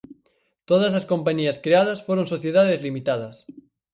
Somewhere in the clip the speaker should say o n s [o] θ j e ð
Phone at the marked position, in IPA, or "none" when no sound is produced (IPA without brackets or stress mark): o